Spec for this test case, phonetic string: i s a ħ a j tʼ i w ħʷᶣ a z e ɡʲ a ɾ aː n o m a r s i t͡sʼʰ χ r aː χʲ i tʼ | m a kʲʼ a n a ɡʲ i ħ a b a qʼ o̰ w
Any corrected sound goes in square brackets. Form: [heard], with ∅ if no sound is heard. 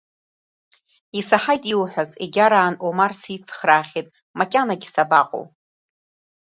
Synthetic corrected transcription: i s a ħ a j tʼ i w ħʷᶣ a z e ɡʲ a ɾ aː n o m a r s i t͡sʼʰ χ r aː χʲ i tʼ | m a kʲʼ a n a ɡʲ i [s] a b a qʼ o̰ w